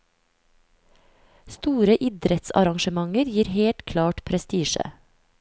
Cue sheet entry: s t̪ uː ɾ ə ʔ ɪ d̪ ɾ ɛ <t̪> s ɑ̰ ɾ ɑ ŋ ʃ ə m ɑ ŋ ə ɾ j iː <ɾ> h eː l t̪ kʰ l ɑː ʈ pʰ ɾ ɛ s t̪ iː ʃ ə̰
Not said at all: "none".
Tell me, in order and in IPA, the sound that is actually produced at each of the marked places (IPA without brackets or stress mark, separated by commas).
t̪, ɾ